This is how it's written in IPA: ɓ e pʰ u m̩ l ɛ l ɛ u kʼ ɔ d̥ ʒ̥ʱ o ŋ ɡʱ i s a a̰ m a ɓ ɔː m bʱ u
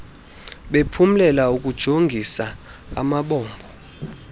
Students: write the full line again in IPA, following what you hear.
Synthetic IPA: ɓ e pʰ u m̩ l ɛ l a u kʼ u d̥ ʒ̥ʱ o ŋ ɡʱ i s a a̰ m a ɓ ɔː m bʱ ɔ